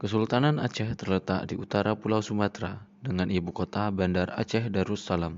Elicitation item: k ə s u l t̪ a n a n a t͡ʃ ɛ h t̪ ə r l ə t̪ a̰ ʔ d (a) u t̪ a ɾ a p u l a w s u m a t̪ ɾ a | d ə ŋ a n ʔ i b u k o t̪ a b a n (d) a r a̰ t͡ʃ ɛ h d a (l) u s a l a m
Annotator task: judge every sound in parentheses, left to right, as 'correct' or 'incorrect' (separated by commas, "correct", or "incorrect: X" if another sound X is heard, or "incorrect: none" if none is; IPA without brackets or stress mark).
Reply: incorrect: i, correct, incorrect: ɾ